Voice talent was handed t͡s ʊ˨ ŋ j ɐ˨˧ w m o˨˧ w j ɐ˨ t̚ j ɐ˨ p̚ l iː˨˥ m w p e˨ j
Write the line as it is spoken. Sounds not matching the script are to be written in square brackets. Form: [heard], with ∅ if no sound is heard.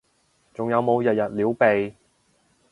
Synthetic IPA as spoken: t͡s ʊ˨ ŋ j ɐ˨˧ w m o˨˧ w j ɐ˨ t̚ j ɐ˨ [t̚] l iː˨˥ [∅] w p e˨ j